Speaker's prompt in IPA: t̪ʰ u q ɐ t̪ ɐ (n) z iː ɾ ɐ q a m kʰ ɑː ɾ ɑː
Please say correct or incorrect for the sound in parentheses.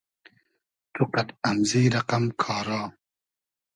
incorrect